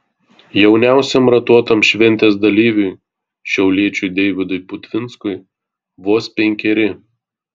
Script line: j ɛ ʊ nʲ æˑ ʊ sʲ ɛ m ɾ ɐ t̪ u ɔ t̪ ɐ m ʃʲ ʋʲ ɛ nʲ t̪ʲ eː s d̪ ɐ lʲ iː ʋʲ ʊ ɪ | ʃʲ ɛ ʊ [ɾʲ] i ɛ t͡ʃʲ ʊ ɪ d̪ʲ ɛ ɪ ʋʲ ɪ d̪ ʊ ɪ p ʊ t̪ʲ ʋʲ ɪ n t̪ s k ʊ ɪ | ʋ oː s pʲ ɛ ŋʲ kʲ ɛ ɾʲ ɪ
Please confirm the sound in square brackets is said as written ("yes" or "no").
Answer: no